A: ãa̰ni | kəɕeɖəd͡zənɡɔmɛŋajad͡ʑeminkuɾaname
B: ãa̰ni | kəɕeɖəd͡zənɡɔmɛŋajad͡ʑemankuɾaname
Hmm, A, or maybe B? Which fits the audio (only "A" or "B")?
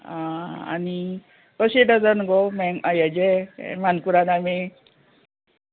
B